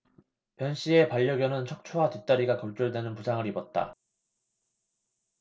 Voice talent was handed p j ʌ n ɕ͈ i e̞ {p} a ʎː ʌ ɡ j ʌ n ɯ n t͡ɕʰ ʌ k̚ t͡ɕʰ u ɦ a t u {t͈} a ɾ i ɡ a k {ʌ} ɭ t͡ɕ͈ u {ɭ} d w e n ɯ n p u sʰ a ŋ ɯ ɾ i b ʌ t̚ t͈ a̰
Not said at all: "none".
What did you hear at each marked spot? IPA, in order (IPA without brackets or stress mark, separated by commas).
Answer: p, t͈, ʌ, ɭ